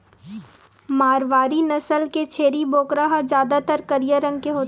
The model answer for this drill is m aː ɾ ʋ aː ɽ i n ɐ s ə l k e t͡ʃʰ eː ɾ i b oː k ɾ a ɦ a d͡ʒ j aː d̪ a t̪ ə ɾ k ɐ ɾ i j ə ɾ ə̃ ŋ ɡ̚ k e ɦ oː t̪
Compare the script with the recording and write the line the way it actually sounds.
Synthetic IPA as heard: m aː ɾ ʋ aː ɾ i n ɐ s ə l k e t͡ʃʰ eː ɾ i b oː k ɾ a ɦ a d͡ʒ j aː d̪ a t̪ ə ɾ k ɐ ɾ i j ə ɾ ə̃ ŋ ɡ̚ k e ɦ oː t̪